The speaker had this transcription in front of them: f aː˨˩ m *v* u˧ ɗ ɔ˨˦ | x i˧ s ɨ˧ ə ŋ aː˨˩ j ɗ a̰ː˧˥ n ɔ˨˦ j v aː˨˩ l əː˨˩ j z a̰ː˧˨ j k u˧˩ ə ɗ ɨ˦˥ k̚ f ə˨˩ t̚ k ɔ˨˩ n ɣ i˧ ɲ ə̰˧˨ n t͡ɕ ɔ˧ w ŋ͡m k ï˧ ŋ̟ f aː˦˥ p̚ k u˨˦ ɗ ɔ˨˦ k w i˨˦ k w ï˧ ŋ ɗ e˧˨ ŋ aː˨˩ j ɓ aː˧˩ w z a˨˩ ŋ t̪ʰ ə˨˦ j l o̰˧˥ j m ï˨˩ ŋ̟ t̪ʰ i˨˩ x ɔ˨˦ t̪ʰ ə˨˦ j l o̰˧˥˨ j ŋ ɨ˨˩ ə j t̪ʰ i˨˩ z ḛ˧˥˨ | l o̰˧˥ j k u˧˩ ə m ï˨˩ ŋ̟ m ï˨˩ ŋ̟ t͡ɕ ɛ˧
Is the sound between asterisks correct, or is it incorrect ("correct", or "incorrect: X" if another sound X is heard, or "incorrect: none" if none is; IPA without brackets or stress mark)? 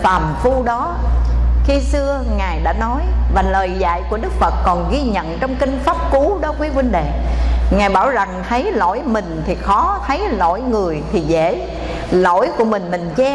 incorrect: f